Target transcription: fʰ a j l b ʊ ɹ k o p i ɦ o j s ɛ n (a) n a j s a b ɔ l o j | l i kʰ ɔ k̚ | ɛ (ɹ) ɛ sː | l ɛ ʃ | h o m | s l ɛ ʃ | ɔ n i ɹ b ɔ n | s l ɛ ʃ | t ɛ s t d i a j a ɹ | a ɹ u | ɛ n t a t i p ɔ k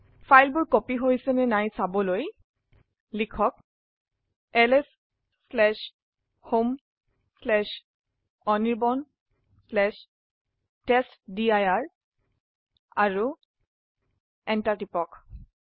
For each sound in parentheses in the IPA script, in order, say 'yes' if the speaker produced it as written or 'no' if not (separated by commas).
no, no